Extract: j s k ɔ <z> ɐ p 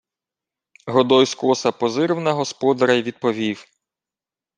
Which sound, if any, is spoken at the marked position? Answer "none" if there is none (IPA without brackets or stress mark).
s